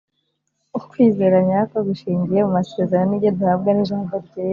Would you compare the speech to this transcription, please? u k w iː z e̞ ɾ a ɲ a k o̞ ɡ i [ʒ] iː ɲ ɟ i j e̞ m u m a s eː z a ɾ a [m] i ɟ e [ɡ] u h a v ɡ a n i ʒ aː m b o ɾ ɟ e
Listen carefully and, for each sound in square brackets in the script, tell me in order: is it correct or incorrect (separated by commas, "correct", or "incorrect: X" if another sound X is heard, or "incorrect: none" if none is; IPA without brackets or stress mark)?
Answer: incorrect: ʃ, incorrect: n, incorrect: d